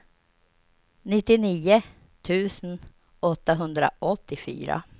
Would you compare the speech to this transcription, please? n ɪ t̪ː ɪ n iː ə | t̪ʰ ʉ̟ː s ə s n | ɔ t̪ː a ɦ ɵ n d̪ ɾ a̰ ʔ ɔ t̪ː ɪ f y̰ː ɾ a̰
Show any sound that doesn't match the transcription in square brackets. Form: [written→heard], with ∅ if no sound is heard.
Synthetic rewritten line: n ɪ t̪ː ɪ n iː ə | t̪ʰ ʉ̟ː s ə [s→∅] n | ɔ t̪ː a ɦ ɵ n d̪ ɾ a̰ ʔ ɔ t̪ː ɪ f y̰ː ɾ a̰